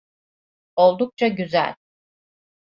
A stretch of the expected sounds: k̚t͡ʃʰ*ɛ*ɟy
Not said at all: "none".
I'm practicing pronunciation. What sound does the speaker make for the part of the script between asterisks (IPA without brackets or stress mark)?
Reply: a